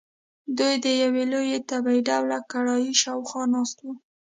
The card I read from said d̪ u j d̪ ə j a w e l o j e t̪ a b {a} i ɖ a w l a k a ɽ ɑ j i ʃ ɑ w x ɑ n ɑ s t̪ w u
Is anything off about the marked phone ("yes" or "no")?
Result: no